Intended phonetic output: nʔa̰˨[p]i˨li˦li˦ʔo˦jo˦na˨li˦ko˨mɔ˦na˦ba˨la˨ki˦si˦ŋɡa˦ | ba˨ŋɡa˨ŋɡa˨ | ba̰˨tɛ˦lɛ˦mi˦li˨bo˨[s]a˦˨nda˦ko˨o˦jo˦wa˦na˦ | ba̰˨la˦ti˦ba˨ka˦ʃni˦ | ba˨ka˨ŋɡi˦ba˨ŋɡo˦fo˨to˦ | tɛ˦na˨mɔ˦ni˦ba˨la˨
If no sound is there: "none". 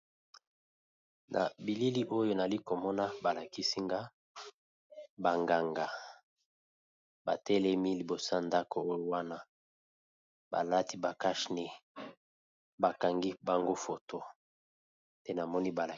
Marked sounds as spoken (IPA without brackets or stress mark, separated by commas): b, s